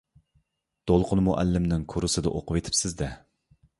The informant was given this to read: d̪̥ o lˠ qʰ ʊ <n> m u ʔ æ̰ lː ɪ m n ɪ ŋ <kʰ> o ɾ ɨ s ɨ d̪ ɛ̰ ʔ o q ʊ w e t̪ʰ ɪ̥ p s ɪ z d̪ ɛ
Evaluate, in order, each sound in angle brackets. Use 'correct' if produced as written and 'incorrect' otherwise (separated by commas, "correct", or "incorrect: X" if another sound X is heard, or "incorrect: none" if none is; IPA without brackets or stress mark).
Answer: correct, correct